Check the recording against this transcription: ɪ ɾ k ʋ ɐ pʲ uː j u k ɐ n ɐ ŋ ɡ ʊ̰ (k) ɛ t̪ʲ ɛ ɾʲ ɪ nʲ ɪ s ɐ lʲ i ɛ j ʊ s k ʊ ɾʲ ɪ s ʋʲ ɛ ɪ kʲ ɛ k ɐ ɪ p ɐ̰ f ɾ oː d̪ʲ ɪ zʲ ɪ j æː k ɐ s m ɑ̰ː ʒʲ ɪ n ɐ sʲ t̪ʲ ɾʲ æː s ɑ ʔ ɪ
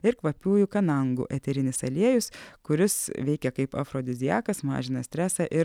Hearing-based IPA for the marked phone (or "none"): ʔ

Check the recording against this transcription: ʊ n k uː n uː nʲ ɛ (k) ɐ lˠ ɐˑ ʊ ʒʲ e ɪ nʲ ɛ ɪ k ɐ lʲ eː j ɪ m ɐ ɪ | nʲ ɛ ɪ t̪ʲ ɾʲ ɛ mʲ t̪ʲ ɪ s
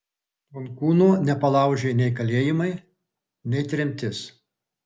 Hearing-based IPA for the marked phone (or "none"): p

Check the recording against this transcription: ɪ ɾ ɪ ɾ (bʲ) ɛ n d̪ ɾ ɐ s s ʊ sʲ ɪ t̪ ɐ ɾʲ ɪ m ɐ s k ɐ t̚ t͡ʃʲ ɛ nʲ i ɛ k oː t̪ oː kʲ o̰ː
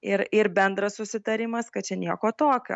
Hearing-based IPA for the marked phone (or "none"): bʲ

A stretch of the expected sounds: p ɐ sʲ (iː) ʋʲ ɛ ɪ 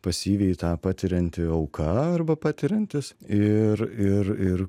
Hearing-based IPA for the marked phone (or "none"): iː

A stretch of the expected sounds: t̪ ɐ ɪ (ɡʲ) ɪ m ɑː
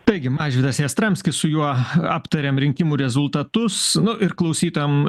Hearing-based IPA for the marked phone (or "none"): ɡʲ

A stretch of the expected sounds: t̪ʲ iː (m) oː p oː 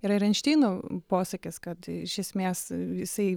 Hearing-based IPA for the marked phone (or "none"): n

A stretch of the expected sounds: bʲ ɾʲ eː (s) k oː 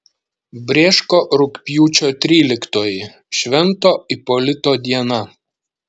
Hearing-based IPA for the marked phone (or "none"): ʃ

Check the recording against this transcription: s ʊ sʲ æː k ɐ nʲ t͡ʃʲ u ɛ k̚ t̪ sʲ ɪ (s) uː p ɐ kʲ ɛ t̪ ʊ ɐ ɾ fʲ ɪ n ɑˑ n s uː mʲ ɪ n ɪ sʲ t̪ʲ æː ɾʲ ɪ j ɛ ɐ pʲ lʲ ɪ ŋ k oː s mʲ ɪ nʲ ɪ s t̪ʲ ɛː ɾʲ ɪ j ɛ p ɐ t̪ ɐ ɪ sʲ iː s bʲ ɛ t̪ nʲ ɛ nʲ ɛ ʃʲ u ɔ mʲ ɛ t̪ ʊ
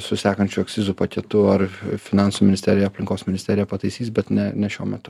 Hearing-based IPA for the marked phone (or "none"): z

